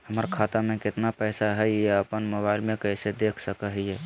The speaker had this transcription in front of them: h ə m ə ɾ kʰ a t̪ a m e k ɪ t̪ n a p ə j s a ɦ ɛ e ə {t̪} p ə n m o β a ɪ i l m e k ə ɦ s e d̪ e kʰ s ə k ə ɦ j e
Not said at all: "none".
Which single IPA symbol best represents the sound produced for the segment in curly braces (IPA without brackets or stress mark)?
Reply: none